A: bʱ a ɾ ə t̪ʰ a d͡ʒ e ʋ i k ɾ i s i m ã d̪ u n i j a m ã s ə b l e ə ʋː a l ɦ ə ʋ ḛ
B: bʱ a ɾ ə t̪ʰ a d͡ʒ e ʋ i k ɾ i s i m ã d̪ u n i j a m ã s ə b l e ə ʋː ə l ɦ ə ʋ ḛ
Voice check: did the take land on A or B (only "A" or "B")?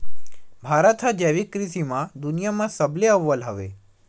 B